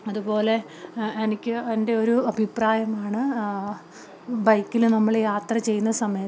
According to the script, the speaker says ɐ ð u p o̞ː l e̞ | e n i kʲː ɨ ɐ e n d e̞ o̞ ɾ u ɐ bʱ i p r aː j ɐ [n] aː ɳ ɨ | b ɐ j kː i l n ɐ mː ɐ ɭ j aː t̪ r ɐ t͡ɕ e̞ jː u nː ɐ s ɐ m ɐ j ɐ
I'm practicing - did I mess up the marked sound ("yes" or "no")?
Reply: yes